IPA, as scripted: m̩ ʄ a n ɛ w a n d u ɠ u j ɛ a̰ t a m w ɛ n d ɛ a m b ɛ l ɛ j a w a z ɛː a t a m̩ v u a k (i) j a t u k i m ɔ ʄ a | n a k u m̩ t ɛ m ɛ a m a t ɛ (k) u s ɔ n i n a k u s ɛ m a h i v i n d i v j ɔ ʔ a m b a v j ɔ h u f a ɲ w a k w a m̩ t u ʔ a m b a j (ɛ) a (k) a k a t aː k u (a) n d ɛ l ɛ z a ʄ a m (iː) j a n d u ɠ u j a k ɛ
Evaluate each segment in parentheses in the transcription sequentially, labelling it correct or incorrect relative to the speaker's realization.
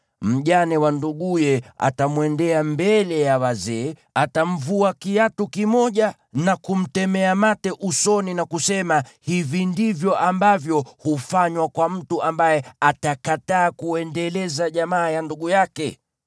correct, incorrect, correct, incorrect, incorrect, incorrect

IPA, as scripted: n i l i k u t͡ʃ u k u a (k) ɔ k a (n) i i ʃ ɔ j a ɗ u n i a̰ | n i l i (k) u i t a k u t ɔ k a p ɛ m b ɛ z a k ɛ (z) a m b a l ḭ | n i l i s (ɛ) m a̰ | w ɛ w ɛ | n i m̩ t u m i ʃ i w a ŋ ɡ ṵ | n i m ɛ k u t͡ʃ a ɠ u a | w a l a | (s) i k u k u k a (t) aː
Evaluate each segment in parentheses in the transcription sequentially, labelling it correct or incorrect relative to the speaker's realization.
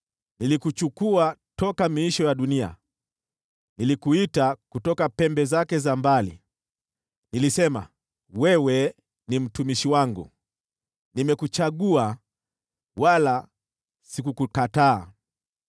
incorrect, incorrect, correct, correct, correct, correct, correct

